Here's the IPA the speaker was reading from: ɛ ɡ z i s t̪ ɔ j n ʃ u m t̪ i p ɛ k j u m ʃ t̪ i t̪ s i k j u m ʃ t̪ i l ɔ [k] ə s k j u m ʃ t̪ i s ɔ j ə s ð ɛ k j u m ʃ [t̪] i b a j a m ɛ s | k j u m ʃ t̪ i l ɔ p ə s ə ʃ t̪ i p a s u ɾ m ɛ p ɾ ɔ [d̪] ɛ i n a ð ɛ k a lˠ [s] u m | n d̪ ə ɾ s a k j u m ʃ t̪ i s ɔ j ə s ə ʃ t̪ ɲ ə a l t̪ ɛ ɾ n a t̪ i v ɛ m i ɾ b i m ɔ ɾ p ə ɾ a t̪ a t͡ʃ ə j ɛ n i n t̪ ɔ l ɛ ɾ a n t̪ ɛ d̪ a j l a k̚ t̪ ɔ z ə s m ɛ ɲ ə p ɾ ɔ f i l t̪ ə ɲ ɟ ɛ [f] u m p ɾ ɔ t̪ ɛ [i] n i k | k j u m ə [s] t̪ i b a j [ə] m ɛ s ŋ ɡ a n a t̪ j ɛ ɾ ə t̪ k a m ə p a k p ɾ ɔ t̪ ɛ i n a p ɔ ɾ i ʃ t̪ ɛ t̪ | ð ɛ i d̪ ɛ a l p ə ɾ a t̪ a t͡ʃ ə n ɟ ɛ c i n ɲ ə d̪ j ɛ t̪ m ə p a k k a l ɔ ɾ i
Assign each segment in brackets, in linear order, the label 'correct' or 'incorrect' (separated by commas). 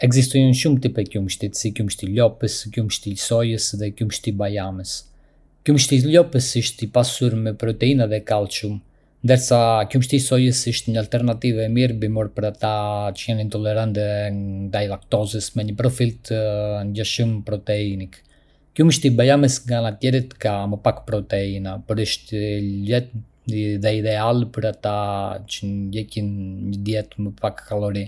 incorrect, correct, incorrect, incorrect, incorrect, correct, incorrect, incorrect